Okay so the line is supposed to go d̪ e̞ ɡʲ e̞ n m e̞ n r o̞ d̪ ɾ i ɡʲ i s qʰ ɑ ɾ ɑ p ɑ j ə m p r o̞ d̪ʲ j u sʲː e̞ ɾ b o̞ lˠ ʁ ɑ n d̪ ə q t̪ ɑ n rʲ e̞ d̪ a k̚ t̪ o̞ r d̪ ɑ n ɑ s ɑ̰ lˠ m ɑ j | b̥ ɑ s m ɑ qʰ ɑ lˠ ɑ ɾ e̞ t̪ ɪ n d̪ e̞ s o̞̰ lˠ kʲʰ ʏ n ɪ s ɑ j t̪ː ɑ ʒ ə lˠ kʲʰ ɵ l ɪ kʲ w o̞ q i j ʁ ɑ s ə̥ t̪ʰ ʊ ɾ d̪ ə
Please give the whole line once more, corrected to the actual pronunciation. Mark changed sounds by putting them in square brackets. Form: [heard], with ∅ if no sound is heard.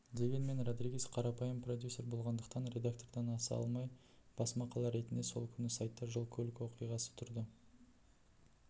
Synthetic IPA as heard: d̪ e̞ ɡʲ e̞ n m e̞ n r o̞ d̪ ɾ i ɡʲ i s qʰ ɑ ɾ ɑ p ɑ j ə m p r o̞ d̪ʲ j u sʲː e̞ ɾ b o̞ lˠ ʁ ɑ n d̪ ə q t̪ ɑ n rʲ e̞ d̪ a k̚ t̪ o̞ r d̪ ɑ n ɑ s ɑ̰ lˠ m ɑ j | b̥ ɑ s m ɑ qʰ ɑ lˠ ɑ ɾ e̞ t̪ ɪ n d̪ e̞ s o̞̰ lˠ kʲʰ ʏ n ɪ s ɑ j t̪ː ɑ ʒ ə lˠ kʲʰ ɵ l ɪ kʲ w o̞ q i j ʁ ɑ s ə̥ t̪ʰ ʊ ɾ d̪ ə